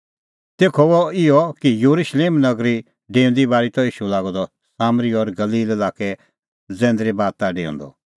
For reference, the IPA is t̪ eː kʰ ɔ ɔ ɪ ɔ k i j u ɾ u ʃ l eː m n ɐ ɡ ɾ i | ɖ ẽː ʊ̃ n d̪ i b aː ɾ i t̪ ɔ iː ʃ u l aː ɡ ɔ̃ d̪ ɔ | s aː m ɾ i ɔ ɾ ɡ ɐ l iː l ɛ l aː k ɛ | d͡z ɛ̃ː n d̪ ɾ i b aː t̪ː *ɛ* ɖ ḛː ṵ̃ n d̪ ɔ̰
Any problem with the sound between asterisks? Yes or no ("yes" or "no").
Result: yes